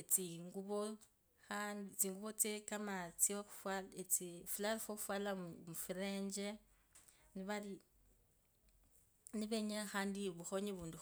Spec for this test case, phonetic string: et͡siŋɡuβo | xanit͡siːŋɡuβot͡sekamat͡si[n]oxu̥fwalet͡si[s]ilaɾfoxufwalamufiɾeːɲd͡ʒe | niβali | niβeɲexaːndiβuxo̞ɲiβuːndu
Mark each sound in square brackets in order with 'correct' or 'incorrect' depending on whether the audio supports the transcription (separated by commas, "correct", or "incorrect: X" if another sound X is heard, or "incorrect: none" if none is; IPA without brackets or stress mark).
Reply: incorrect: none, incorrect: f